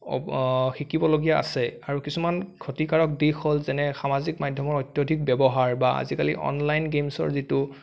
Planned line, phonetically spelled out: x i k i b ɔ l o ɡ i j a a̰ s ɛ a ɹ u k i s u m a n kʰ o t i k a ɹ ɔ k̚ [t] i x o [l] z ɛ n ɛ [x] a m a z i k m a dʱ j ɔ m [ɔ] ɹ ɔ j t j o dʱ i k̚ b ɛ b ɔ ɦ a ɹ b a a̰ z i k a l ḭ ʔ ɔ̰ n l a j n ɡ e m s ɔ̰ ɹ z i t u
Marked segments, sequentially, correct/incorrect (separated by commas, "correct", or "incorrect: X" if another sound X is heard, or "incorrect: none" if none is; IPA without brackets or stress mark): incorrect: d, correct, correct, correct